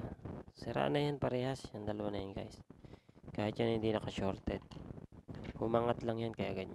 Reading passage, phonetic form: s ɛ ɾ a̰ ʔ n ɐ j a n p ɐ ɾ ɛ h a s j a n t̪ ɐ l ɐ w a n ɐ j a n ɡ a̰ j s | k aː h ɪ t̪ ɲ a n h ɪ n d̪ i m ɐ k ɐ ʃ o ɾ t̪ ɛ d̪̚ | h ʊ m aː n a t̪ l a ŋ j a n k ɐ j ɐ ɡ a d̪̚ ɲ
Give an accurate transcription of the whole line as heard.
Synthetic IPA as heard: s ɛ ɾ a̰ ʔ n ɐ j a n p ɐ ɾ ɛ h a s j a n d̪ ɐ l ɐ w a n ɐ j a n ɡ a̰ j s | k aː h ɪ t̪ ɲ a n h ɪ n d̪ i n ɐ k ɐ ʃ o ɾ t̪ ɛ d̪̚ | h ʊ m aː ŋ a t̪ l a ŋ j a n k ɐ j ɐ ɡ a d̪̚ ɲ